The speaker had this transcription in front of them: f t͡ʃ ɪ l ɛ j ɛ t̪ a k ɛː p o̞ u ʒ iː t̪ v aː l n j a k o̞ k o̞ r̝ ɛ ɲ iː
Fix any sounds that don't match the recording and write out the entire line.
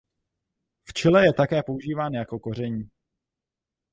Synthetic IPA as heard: f t͡ʃ ɪ l ɛ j ɛ t̪ a k ɛː p o̞ u ʒ iː v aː n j a k o̞ k o̞ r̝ ɛ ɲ iː